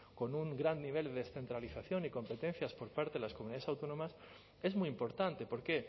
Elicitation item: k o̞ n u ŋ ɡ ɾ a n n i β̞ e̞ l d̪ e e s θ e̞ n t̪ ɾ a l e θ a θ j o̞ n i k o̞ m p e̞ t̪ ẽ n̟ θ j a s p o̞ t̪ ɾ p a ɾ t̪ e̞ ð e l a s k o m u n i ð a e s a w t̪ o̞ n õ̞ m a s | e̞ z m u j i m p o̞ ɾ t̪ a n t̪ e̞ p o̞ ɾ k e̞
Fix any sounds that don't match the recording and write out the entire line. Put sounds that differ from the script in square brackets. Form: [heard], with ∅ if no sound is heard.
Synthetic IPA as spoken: k o̞ n u ŋ ɡ ɾ a n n i β̞ e̞ l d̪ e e s θ e̞ n t̪ ɾ a l [i] θ a θ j o̞ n i k o̞ m p e̞ t̪ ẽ n̟ θ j a s p o̞ [∅] ɾ p a ɾ t̪ e̞ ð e l a s k o m u n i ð a e s a w t̪ o̞ n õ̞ m a s | e̞ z m u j i m p o̞ ɾ t̪ a n t̪ e̞ p o̞ ɾ k e̞